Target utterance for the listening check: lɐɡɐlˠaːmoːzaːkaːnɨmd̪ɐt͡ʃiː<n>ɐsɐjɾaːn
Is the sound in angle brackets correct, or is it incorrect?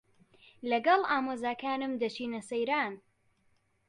correct